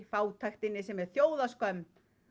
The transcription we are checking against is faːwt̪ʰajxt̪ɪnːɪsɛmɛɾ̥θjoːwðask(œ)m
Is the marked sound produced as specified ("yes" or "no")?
yes